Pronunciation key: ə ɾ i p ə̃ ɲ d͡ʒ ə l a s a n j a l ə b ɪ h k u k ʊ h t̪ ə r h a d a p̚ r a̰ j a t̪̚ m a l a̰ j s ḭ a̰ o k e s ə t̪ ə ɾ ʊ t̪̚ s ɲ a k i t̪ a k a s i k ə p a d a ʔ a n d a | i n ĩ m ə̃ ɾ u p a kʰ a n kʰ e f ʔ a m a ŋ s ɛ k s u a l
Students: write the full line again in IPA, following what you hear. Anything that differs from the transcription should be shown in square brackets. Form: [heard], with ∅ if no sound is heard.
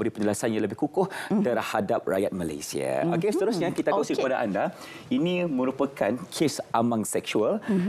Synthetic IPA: ə ɾ i p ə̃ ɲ d͡ʒ ə l a s a n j a l ə b ɪ h k u k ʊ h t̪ ə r h a d a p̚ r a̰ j a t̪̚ m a l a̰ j s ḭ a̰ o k e s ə t̪ ə ɾ ʊ [∅] s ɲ a k i t̪ a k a s i k ə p a d a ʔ a n d a | i n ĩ m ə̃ ɾ u p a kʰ a n kʰ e [s] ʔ a m a ŋ s ɛ k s u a l

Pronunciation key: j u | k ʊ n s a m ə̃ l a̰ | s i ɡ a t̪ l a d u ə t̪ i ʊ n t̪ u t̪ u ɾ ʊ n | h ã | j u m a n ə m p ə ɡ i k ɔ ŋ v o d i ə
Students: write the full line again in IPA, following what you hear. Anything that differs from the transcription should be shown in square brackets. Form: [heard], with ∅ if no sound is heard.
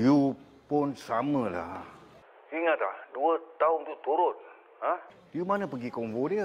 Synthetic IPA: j u | [p] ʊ n s a m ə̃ l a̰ | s i [ŋ] a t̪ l a d u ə t̪ [a] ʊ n t̪ u t̪ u ɾ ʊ n | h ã | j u m a n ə [∅] p ə ɡ i k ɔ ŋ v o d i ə

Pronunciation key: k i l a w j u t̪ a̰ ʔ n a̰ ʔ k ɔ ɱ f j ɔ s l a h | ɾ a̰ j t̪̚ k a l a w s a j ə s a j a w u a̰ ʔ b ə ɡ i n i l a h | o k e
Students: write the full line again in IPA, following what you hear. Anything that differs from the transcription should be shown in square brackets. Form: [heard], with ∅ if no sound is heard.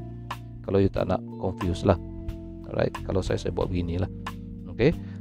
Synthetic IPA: k [a] l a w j u t̪ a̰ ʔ n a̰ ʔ k ɔ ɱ f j [u] s l a h | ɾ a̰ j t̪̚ k a l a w s a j [a] s a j a [b] u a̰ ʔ b ə ɡ i n i l a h | o k e

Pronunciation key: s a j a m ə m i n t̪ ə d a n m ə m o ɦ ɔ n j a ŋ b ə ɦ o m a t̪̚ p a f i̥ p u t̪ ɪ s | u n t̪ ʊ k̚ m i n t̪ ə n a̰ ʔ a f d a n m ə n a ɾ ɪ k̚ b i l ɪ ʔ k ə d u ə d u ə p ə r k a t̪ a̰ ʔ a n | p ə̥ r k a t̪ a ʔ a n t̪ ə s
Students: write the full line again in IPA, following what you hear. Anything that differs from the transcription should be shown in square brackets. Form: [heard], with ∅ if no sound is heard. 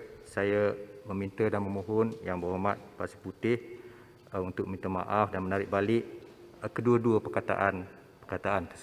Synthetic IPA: s a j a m ə m i n t̪ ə d a n m ə m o ɦ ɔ n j a ŋ b ə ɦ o m a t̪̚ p a [s] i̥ p u t̪ ɪ [h] | u n t̪ ʊ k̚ m i n t̪ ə [m] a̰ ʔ a f d a n m ə n a ɾ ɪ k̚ b [a] l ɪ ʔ k ə d u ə d u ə p ə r k a t̪ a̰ ʔ a n | p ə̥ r k a t̪ a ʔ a n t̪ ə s

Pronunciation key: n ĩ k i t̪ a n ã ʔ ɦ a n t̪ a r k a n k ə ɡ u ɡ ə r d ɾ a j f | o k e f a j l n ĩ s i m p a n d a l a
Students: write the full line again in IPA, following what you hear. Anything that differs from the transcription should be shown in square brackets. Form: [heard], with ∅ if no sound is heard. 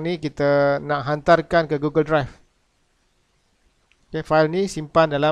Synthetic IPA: n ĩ k i t̪ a n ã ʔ ɦ a n t̪ a r k a n k ə ɡ u ɡ ə [l] d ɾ a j f | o k e f a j l n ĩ s i m p a n d a l a

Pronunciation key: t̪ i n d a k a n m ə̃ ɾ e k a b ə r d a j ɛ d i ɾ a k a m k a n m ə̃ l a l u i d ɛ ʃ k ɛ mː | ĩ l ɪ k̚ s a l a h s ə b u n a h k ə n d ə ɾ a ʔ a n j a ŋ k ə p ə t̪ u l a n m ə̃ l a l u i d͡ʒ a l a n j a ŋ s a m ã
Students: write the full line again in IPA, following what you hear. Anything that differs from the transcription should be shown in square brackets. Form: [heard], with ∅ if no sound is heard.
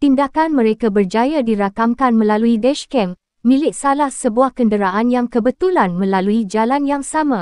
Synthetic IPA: t̪ i n d a k a n m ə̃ ɾ e k a b ə r [d͡ʒ] a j [a] d i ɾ a k a m k a n m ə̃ l a l u i d ɛ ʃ k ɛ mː | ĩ l ɪ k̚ s a l a h s ə b u [∅] a h k ə n d ə ɾ a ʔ a n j a ŋ k ə [b] ə t̪ u l a n m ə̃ l a l u i d͡ʒ a l a n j a ŋ s a m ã

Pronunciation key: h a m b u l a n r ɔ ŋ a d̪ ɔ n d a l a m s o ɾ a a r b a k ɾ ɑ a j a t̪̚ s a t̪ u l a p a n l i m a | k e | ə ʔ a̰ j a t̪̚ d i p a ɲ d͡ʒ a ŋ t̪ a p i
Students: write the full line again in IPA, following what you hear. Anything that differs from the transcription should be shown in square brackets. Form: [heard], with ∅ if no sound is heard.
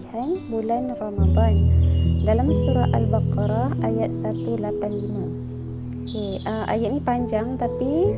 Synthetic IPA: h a [n] b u l a n r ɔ [m] a d̪ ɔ n d a l a m s [u] ɾ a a [l] b a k ɾ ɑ a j a t̪̚ s a t̪ u l a p a n l i m a | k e | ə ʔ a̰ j a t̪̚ [n] i p a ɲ d͡ʒ a ŋ t̪ a p i

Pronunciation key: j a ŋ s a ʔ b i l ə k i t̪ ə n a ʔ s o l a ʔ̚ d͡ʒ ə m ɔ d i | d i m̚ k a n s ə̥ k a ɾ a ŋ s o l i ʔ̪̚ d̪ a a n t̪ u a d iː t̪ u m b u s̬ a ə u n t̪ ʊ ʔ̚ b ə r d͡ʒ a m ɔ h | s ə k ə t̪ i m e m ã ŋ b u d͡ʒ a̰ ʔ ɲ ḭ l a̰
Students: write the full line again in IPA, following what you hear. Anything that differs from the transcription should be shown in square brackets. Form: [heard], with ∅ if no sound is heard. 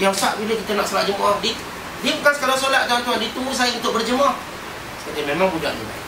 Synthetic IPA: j a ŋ s a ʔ b i l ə k i t̪ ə n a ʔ s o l a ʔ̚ d͡ʒ ə m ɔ d i | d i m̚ k a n s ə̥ k a ɾ a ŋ s o l [a] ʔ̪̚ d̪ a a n t̪ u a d [i] t̪ u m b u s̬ a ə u n t̪ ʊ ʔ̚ b ə r d͡ʒ [ə] m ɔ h | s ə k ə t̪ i m e m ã ŋ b u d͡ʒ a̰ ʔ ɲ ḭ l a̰

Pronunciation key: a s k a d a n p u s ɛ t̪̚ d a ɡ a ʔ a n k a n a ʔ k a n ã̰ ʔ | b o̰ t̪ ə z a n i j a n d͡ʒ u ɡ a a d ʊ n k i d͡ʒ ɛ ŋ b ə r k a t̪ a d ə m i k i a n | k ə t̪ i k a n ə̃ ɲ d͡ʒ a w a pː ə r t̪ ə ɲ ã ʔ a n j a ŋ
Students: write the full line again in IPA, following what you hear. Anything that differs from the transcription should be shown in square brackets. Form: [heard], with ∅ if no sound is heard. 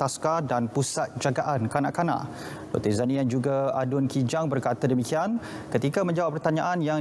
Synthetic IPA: a s k a d a n p u s [a] t̪̚ [d͡ʒ] a ɡ a ʔ a n k a n a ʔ k a n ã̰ ʔ | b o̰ t̪ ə z a n i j a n d͡ʒ u ɡ a a d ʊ n k i d͡ʒ [a] ŋ b ə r k a t̪ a d ə m i k i a n | k ə t̪ i k a [m] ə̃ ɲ d͡ʒ a w a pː ə r t̪ [a] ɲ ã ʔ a n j a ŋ

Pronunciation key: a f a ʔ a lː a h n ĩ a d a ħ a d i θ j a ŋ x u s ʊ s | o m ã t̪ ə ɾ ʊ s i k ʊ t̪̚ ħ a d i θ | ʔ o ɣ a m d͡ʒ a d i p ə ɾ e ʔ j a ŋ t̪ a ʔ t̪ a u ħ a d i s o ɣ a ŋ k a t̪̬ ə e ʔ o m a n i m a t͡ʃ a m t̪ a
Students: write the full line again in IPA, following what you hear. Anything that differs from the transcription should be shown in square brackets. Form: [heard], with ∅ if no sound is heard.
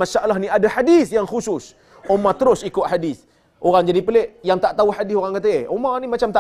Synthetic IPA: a [ʃ] a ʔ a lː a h n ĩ a d a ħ a d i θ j a ŋ x u s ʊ s | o m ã t̪ ə ɾ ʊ s i k ʊ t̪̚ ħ a d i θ | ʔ o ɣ a [ŋ] d͡ʒ a d i p ə [l] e ʔ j a ŋ t̪ a ʔ t̪ a u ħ a d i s o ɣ a ŋ k a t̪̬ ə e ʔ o m a n i m a t͡ʃ a m t̪ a

